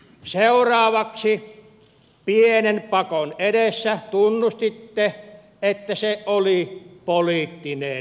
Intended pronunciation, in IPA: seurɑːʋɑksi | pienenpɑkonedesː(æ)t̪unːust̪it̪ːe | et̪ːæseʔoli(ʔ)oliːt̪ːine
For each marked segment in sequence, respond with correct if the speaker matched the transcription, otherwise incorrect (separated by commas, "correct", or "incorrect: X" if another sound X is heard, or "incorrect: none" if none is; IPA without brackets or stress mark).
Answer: correct, incorrect: p